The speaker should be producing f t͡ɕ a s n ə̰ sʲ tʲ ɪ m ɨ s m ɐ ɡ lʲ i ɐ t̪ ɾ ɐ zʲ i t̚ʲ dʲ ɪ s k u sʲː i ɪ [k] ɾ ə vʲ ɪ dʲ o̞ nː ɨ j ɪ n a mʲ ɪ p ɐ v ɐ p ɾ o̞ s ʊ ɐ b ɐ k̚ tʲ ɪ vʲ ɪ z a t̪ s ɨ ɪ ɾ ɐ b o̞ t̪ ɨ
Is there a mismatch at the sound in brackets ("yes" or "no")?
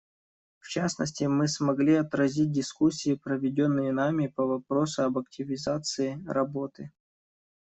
yes